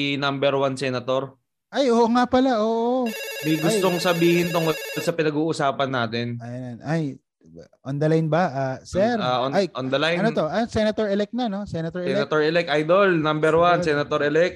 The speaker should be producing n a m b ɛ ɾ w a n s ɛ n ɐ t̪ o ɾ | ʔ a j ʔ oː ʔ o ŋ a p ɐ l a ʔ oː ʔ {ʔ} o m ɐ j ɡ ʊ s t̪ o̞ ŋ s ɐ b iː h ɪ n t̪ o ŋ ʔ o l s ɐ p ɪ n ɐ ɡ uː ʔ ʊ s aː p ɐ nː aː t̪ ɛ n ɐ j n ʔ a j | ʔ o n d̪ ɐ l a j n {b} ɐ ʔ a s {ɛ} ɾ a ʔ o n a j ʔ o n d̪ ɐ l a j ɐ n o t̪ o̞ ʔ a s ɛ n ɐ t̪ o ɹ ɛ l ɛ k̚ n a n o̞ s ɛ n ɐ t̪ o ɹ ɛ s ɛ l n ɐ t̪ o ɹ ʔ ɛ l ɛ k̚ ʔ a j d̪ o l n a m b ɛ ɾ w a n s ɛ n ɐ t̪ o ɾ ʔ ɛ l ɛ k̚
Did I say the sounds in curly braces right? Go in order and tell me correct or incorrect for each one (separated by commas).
correct, correct, correct